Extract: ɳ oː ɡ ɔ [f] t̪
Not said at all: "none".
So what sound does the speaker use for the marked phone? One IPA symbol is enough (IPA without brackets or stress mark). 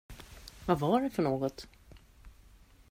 none